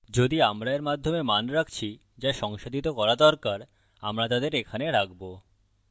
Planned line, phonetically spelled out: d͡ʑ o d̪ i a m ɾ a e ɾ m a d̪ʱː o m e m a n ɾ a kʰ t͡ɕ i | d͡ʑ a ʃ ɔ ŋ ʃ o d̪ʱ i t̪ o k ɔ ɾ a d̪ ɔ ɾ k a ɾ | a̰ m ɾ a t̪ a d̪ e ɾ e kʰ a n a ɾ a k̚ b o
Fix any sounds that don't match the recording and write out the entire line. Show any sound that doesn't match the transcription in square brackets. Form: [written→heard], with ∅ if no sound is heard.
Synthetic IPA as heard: d͡ʑ o d̪ i a m ɾ a e ɾ m a d̪ʱː o m e m a n ɾ a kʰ [t͡ɕ→t͡ɕʰ] i | d͡ʑ a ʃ ɔ ŋ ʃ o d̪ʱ i t̪ o k ɔ ɾ a d̪ ɔ ɾ k a ɾ | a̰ m ɾ a t̪ a d̪ e ɾ e kʰ a n [a→e] ɾ a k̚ b o